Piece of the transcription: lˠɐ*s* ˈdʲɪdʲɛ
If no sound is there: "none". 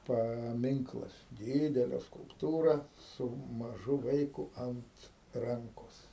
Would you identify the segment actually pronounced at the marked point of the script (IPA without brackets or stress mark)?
s